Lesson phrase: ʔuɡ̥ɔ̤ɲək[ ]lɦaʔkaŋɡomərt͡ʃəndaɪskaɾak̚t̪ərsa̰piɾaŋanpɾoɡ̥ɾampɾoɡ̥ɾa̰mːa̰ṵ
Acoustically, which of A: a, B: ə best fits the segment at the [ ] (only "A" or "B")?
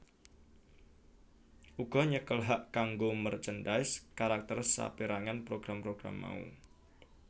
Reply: B